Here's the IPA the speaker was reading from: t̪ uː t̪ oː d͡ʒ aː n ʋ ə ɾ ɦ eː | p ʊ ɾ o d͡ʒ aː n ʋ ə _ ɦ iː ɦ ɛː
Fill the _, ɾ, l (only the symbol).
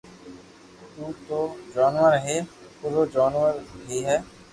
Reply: ɾ